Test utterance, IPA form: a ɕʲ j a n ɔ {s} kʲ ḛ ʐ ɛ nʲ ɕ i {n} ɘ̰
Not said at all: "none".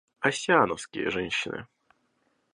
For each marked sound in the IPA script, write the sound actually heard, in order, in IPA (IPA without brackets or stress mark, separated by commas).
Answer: s, n